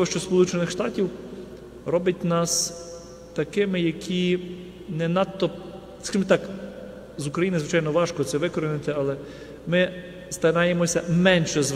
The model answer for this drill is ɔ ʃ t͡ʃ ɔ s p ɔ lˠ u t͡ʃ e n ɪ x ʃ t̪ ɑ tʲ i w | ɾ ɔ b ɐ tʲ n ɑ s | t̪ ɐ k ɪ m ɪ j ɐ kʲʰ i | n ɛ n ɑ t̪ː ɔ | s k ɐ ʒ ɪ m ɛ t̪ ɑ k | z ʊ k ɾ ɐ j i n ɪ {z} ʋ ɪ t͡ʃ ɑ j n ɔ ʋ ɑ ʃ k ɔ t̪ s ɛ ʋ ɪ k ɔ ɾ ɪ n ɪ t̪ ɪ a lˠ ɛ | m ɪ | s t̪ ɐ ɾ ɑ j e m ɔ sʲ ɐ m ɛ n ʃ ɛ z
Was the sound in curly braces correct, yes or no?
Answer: yes